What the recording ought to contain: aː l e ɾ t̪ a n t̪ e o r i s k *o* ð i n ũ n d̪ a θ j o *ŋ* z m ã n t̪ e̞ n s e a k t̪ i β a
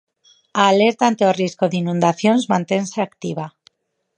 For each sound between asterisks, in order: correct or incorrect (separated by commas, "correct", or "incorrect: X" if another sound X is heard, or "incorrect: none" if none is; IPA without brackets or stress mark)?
correct, incorrect: n